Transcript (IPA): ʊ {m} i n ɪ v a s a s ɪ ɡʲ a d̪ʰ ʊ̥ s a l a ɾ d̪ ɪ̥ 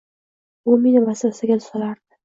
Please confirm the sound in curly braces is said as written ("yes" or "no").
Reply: yes